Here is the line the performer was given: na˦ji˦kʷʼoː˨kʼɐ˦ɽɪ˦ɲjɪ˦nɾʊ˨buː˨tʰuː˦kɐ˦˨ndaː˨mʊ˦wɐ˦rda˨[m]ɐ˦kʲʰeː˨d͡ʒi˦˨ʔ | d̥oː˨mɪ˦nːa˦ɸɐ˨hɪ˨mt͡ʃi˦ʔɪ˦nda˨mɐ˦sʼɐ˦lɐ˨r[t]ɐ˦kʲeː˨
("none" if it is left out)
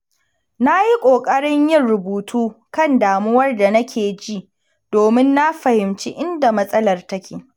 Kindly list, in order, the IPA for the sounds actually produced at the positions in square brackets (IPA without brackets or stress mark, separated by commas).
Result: n, t